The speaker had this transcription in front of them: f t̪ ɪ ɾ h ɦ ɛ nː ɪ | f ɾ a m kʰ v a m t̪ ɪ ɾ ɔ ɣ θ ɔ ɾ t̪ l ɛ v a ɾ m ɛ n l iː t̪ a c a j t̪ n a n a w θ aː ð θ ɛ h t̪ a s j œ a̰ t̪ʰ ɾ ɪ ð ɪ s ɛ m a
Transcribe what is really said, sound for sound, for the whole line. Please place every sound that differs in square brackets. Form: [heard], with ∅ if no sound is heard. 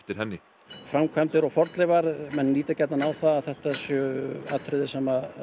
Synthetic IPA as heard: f t̪ ɪ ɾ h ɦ ɛ nː ɪ | f ɾ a m kʰ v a m t̪ ɪ ɾ ɔ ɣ [f] ɔ ɾ t̪ l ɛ v a ɾ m ɛ n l iː t̪ a c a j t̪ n a n a w θ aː ð θ ɛ h t̪ a s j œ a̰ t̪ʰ ɾ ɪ ð ɪ s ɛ m a